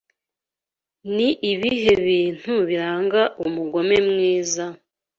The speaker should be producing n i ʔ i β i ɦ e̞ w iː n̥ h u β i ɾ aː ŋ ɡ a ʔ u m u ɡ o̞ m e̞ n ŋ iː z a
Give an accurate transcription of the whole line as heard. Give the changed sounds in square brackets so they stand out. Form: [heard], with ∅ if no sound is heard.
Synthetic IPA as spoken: n i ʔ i β i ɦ e̞ [β] iː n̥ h u β i ɾ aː ŋ ɡ a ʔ u m u ɡ o̞ m e̞ [m] ŋ iː z a